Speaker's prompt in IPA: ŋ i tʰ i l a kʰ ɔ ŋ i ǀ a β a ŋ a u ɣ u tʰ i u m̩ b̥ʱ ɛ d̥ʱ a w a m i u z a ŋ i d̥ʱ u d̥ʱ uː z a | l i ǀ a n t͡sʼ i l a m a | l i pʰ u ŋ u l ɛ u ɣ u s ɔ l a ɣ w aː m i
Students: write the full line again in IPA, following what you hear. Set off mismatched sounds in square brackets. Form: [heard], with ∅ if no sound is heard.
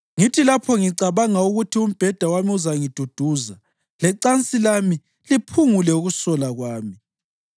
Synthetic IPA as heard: ŋ i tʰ i l a [pʰ] ɔ ŋ i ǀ a β a ŋ a u ɣ u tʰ i u m̩ b̥ʱ ɛ d̥ʱ a w a m i u z a ŋ i d̥ʱ u d̥ʱ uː z a | l [ɛ] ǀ a n t͡sʼ i l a m [i] | l i pʰ u ŋ u l ɛ u ɣ u s ɔ l a ɣ w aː m i